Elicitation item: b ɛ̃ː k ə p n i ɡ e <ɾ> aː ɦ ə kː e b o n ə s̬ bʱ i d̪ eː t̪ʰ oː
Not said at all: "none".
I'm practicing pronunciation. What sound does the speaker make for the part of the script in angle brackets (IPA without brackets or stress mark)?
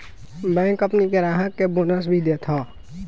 ɾ